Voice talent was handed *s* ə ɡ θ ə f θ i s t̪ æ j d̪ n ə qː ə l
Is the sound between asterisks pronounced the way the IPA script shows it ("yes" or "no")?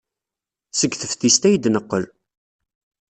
yes